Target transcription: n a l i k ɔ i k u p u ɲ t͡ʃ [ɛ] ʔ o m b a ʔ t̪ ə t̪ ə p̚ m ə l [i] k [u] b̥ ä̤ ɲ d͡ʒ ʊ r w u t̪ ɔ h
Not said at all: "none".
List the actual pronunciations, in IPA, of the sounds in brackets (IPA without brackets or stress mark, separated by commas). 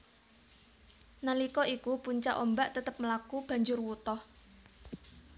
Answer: a, a, u